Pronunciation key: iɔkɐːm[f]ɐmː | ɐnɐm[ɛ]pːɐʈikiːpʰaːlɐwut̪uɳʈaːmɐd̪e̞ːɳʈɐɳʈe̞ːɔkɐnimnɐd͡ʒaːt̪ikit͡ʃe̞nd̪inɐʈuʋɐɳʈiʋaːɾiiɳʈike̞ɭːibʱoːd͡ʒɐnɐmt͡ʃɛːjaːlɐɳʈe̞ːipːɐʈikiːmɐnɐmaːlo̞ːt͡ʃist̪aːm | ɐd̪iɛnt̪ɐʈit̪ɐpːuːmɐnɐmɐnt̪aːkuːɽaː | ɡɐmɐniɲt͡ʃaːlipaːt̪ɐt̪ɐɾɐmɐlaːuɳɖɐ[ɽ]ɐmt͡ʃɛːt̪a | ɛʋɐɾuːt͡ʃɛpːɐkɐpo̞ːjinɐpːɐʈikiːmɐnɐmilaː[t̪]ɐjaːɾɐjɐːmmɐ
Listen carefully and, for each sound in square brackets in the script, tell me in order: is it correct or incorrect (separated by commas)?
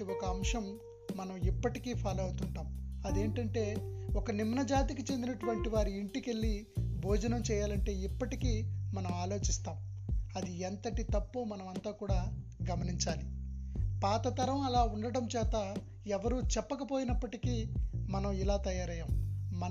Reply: incorrect, incorrect, correct, correct